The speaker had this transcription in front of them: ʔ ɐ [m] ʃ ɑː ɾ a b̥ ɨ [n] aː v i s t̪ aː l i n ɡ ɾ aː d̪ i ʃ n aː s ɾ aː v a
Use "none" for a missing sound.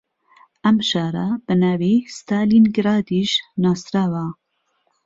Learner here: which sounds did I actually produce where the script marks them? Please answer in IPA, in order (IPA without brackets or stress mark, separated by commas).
m, n